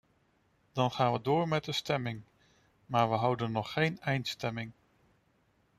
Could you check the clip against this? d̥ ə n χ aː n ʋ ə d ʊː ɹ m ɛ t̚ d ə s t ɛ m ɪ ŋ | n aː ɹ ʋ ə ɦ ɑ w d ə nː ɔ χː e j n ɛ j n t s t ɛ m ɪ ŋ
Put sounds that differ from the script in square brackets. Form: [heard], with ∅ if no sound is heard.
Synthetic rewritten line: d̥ [ɑ] n χ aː n ʋ ə d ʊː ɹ m ɛ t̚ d ə s t ɛ m ɪ ŋ | [m] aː ɹ ʋ ə ɦ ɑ w d ə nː ɔ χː e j n ɛ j n t s t ɛ m ɪ ŋ